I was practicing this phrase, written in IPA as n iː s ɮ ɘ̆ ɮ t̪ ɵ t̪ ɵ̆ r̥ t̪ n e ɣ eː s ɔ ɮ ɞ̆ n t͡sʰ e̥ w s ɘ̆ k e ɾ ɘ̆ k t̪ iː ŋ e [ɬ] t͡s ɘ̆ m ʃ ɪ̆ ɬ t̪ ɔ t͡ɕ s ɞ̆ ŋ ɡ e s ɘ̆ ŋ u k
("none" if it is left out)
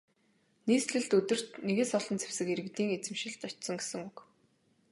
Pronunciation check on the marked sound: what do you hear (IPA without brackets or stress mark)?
none